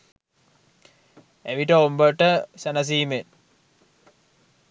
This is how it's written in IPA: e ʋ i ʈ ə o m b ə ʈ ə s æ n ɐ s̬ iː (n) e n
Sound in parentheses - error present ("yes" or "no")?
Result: yes